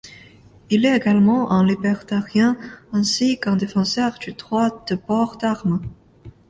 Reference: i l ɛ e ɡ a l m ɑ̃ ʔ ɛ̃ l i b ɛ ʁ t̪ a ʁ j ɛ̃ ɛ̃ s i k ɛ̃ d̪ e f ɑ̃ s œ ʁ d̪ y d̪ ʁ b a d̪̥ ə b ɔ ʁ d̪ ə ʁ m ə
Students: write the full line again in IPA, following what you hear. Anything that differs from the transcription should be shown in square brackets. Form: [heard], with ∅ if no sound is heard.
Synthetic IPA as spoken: i l ɛ e ɡ a l m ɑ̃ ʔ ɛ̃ l i b ɛ ʁ t̪ a ʁ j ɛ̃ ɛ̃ s i k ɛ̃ d̪ e f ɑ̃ s œ ʁ d̪ y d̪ ʁ [w] a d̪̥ ə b ɔ ʁ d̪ [a] ʁ m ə